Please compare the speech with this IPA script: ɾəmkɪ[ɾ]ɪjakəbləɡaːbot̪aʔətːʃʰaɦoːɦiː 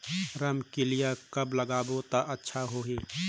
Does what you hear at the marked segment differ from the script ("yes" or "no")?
yes